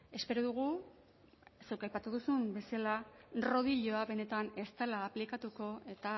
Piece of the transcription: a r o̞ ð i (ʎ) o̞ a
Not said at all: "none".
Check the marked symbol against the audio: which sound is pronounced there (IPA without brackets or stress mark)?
ʎ